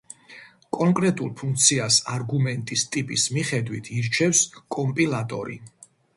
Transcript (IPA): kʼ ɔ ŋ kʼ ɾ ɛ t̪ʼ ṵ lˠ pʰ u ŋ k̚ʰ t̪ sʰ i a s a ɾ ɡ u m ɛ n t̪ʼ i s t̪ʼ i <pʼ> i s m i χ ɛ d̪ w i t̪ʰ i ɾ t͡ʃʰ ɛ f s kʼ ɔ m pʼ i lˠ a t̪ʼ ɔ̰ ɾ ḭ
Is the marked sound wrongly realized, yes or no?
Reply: no